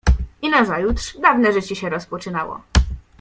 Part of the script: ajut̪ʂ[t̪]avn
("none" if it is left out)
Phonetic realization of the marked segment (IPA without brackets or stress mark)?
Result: d̪